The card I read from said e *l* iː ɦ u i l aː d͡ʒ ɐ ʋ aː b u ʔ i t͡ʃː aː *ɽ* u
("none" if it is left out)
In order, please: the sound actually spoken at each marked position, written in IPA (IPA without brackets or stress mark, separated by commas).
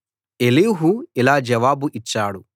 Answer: l, ɽ